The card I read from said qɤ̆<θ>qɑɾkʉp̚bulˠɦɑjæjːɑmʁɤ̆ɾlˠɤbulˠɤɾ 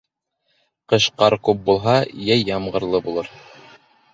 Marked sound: incorrect: ʃ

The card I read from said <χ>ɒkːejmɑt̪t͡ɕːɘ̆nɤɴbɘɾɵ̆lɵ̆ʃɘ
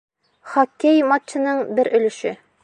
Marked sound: correct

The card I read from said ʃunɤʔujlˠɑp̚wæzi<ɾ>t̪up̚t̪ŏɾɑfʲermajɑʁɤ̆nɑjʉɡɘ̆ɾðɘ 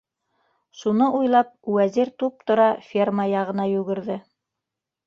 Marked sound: correct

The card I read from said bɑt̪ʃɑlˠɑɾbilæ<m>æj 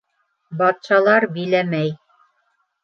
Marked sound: correct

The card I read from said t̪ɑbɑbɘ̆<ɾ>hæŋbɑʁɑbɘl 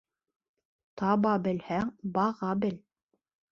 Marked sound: incorrect: l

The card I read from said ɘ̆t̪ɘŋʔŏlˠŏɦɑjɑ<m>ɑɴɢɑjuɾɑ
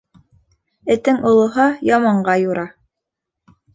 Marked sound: correct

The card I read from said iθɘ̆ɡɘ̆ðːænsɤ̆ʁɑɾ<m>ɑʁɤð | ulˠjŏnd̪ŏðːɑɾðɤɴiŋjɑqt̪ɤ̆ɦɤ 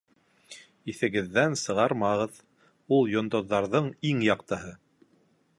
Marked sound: correct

